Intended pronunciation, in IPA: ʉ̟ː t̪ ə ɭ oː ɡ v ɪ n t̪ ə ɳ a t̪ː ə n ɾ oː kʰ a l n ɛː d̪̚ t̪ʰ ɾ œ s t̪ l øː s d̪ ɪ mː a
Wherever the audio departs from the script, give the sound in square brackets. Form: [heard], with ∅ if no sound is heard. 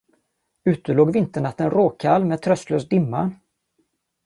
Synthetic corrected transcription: ʉ̟ː t̪ ə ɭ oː ɡ v ɪ n t̪ ə ɳ a t̪ː ə n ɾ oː kʰ a l [m] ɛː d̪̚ t̪ʰ ɾ œ s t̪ l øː s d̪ ɪ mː a